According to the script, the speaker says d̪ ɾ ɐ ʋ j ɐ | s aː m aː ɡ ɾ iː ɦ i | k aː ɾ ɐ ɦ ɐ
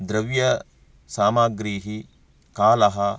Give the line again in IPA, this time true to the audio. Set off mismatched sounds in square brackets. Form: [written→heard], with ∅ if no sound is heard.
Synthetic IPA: d̪ ɾ ɐ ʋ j ɐ | s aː m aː ɡ ɾ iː ɦ i | k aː [ɾ→l] ɐ ɦ ɐ

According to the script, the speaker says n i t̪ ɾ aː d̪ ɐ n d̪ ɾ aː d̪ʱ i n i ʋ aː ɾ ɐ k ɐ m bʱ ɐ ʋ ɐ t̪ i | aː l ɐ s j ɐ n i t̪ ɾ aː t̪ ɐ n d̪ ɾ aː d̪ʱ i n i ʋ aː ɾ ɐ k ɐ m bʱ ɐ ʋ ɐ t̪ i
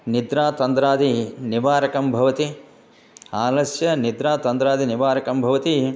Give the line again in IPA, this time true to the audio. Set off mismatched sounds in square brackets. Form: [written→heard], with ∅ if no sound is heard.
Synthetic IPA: n i [t̪→d̪] ɾ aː [d̪→t̪] ɐ n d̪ ɾ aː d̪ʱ i n i ʋ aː ɾ ɐ k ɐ m bʱ ɐ ʋ ɐ t̪ i | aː l ɐ s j ɐ n i [t̪→d̪] ɾ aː t̪ ɐ n d̪ ɾ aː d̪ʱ i n i ʋ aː ɾ ɐ k ɐ m bʱ ɐ ʋ ɐ t̪ i

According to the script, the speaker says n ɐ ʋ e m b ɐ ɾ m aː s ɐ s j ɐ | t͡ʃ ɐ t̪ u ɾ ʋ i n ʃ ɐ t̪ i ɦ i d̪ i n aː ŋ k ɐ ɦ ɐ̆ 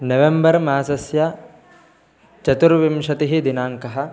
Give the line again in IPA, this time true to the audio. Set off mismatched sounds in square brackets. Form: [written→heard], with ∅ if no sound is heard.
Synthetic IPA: n ɐ ʋ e m b ɐ ɾ m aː s ɐ s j ɐ | t͡ʃ ɐ t̪ u ɾ ʋ i [n→m] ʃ ɐ t̪ i ɦ i d̪ i n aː ŋ k ɐ ɦ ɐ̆

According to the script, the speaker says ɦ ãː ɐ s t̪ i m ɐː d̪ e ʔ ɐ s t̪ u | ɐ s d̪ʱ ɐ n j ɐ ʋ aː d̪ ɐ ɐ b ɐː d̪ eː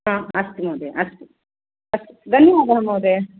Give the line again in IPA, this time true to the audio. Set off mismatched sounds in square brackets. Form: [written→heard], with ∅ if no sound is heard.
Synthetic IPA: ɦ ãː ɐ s t̪ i m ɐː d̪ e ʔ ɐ s t̪ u | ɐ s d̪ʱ ɐ n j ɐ ʋ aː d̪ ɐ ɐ [b→m] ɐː d̪ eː

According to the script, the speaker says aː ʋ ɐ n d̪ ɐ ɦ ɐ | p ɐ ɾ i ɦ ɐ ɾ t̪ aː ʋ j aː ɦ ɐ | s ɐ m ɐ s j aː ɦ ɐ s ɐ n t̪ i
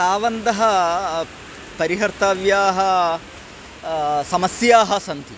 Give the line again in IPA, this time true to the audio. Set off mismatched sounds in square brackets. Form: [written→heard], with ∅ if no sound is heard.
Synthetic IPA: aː ʋ ɐ n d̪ ɐ ɦ ɐ | p ɐ ɾ i ɦ ɐ ɾ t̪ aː ʋ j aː ɦ ɐ | s ɐ m ɐ s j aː ɦ ɐ s ɐ n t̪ i

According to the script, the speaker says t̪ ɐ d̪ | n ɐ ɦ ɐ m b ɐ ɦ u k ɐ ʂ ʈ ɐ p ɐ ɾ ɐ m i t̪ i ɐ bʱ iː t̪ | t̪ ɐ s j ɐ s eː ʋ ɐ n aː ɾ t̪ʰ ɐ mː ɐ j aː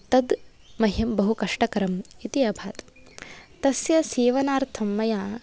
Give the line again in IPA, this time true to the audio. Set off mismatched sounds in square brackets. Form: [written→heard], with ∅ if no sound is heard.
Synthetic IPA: t̪ ɐ d̪ | [n→m] ɐ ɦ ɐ m b ɐ ɦ u k ɐ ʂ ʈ ɐ [p→k] ɐ ɾ ɐ m i t̪ i ɐ bʱ [iː→aː] t̪ | t̪ ɐ s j ɐ s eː ʋ ɐ n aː ɾ t̪ʰ ɐ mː ɐ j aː

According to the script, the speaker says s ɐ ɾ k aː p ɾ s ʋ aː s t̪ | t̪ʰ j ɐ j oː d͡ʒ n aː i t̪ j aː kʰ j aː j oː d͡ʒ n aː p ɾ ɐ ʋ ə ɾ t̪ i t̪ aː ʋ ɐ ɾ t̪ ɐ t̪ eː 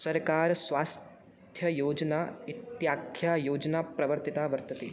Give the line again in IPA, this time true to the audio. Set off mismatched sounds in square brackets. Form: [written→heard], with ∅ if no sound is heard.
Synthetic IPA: s ɐ ɾ k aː [p→∅] ɾ s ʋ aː s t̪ | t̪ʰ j ɐ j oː d͡ʒ n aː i t̪ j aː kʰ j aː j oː d͡ʒ n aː p ɾ ɐ ʋ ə ɾ t̪ i t̪ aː ʋ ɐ ɾ t̪ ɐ t̪ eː

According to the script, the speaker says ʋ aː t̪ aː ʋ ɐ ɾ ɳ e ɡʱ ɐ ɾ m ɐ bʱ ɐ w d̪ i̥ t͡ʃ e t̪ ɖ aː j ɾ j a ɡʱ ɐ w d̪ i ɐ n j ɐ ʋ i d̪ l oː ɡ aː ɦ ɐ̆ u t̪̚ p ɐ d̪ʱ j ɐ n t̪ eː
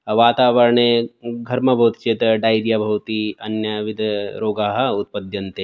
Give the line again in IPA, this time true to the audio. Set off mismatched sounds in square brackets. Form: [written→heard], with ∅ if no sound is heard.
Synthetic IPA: ʋ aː t̪ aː ʋ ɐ ɾ ɳ e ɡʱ ɐ ɾ m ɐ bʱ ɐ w [d̪→t̪] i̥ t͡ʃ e t̪ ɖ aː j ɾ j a [ɡʱ→bʱ] ɐ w [d̪→t̪] i ɐ n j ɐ ʋ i d̪ [l→ɾ] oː ɡ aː ɦ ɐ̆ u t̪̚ p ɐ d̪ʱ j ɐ n t̪ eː

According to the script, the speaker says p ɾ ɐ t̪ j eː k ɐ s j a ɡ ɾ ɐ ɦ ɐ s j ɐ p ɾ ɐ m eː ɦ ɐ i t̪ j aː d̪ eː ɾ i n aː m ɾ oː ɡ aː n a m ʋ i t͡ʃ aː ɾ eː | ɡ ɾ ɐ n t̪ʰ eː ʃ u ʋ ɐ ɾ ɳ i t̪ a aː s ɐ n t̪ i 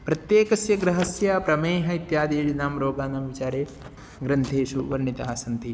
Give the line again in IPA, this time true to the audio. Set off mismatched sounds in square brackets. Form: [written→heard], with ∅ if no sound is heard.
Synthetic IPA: p ɾ ɐ t̪ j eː k ɐ s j [a→ɐ] ɡ ɾ ɐ ɦ ɐ s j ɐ p ɾ ɐ m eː ɦ ɐ i t̪ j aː d̪ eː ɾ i n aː m ɾ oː ɡ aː n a m ʋ i t͡ʃ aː ɾ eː | ɡ ɾ ɐ n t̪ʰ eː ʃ u ʋ ɐ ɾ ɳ i t̪ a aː s ɐ n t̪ i

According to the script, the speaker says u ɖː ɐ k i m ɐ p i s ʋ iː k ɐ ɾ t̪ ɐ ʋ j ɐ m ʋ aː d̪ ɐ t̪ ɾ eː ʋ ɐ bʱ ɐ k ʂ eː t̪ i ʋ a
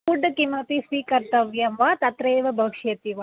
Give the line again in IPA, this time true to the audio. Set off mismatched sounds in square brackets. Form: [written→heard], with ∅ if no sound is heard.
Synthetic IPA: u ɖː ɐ k i m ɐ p i s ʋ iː k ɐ ɾ t̪ ɐ ʋ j ɐ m ʋ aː [d̪→t̪] ɐ t̪ ɾ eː ʋ ɐ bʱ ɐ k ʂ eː t̪ i ʋ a

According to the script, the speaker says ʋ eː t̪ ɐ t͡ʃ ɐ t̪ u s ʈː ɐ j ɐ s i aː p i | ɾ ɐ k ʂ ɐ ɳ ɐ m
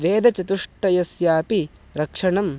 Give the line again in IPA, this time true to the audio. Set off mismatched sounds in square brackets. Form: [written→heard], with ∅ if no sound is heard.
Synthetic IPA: ʋ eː [t̪→d̪] ɐ t͡ʃ ɐ t̪ u [s→ʂ] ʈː ɐ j ɐ s [i→j] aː p i | ɾ ɐ k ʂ ɐ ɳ ɐ m

